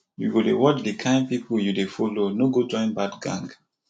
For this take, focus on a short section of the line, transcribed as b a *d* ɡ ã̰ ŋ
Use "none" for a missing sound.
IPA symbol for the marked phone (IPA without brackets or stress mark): d